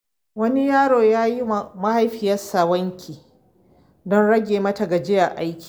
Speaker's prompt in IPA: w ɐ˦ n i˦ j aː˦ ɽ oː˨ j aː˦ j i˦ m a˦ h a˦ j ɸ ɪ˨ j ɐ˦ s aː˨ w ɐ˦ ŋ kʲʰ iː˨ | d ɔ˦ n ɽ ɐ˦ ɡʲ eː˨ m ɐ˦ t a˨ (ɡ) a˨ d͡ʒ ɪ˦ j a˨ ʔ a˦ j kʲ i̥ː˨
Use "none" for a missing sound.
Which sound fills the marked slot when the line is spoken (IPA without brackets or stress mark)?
ɡ